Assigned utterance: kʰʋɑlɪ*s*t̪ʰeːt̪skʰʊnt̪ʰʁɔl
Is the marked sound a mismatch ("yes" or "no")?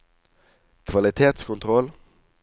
yes